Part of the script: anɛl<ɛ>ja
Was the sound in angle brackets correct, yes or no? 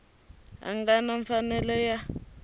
yes